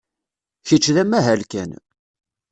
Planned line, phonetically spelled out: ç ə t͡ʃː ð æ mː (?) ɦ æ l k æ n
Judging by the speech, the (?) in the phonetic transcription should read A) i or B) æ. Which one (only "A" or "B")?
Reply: B